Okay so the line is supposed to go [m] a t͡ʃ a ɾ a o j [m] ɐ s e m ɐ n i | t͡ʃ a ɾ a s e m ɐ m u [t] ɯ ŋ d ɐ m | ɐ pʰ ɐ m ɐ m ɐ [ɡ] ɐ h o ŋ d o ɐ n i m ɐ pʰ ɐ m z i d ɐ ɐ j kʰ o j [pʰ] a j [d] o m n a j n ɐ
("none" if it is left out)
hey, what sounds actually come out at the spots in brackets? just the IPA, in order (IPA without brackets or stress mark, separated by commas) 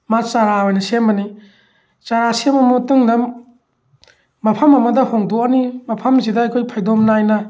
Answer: m, n, t, d, pʰ, d